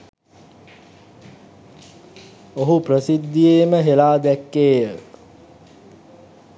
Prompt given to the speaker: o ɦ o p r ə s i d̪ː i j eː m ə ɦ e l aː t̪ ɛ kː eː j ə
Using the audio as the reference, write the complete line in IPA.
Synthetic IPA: o ɦ u p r ə s i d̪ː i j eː m ə ɦ e l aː d̪ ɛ kː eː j ə

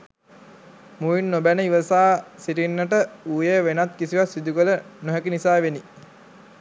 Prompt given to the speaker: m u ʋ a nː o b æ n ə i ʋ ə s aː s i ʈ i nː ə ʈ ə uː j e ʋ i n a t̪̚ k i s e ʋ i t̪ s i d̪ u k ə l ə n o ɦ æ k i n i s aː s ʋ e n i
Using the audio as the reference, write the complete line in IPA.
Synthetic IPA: m u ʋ i nː o b æ n ə i ʋ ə s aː s i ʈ i nː ə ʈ ə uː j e ʋ e n a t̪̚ k i s i ʋ a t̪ s i d̪ u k ə l ə n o ɦ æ k i n i s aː ʋ e n i

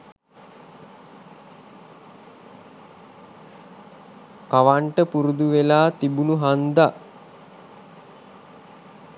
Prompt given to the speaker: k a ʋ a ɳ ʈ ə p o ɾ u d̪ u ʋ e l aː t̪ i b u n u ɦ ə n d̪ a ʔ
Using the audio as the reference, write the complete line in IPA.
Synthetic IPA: k a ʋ a ɳ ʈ ə p u ɾ u d̪ u ʋ e l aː t̪ i b u n u ɦ a n d̪ a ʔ

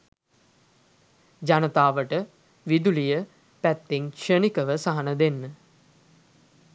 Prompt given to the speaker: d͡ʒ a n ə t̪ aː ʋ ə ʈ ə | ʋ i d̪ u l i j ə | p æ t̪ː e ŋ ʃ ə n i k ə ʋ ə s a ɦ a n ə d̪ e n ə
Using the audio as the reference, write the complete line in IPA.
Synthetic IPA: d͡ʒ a n ə t̪ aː ʋ ə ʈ ə | ʋ i d̪ u l i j ə | p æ t̪ː e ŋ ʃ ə n i k ə ʋ ə s a ɦ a n ə d̪ e nː ə

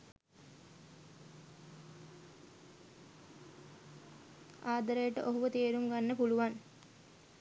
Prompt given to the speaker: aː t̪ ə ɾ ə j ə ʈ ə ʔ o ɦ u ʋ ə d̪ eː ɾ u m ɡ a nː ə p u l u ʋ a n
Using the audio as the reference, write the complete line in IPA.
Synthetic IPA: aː d̪ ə ɾ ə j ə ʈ ə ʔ o ɦ u ʋ ə t̪ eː ɾ u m ɡ a nː ə p u l u ʋ a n

